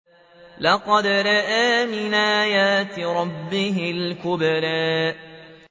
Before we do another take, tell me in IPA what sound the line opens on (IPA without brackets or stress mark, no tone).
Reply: l